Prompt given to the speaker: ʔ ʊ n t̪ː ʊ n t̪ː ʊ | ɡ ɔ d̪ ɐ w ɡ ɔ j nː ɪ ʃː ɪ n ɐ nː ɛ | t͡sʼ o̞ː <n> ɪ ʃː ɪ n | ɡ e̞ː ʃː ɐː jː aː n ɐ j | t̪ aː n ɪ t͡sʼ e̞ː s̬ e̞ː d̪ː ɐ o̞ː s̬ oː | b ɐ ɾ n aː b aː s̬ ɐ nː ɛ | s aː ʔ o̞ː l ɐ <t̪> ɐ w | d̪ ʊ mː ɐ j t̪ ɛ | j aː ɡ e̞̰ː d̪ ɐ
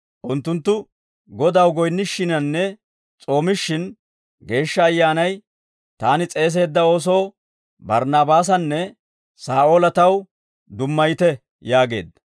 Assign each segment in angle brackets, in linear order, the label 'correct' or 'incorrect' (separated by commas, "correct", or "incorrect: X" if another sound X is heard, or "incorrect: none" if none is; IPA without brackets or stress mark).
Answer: incorrect: m, correct